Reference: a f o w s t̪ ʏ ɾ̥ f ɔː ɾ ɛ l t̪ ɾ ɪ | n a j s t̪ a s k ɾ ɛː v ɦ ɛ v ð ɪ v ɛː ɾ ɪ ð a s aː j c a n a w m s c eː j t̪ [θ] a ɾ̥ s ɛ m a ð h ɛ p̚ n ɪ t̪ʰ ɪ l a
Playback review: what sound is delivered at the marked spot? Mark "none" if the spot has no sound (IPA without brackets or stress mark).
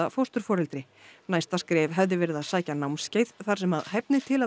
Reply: θ